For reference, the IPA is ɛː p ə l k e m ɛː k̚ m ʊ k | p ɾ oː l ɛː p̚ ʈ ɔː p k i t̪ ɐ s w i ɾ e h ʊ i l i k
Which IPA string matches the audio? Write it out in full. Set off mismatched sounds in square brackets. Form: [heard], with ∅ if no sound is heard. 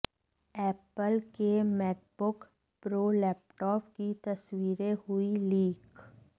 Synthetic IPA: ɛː p ə l k e m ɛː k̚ [b] ʊ k | p ɾ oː l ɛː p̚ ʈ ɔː p k i t̪ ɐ s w [iː] ɾ e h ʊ i l [iː] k